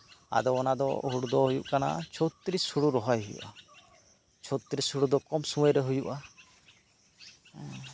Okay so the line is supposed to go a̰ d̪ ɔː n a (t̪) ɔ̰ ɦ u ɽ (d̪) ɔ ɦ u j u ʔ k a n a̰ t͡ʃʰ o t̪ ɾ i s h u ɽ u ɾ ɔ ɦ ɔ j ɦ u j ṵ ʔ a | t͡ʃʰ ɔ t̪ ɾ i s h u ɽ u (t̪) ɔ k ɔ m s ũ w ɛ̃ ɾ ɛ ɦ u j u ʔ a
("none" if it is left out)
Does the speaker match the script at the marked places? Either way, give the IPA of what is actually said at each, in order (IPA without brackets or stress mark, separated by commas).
d̪, d̪, d̪